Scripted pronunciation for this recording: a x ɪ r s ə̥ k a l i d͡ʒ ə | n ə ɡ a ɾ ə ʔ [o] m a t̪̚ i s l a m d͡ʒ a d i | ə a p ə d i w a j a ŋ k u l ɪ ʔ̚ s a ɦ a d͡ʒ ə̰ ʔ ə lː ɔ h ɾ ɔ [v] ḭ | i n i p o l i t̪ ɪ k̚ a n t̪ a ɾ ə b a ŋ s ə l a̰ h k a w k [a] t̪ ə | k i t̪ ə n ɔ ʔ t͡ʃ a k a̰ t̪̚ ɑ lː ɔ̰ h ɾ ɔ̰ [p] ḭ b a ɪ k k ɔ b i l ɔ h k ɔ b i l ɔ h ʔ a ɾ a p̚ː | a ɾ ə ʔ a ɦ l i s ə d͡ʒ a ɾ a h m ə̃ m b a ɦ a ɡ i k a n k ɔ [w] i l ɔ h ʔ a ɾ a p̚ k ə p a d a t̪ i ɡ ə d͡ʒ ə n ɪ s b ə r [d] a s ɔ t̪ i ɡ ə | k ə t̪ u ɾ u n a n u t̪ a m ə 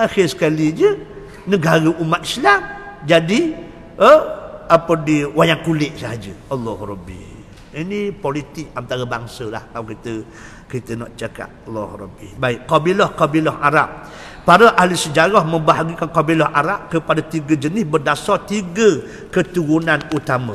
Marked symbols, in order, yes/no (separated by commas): no, no, no, no, no, yes